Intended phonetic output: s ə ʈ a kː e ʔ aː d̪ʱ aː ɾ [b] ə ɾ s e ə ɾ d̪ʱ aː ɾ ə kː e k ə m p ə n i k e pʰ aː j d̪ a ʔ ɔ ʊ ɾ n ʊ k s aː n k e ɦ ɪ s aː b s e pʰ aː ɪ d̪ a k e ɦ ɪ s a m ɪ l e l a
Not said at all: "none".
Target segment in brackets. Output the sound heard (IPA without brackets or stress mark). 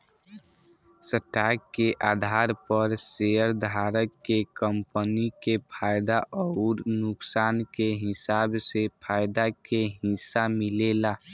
p